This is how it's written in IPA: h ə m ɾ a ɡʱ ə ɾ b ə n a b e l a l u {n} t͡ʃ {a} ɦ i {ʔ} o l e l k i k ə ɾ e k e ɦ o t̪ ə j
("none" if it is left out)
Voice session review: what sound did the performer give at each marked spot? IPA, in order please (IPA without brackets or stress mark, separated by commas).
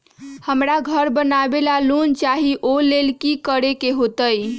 n, a, ʔ